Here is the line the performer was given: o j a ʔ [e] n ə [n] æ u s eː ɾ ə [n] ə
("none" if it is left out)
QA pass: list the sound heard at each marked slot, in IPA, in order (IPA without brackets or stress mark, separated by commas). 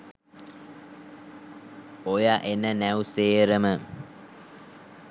e, n, m